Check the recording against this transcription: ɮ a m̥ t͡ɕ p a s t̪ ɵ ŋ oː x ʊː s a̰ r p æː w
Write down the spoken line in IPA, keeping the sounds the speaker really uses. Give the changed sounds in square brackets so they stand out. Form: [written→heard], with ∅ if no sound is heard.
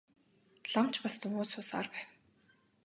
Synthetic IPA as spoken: ɮ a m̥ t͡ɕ p a s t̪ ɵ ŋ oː [x→s] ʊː s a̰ r p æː w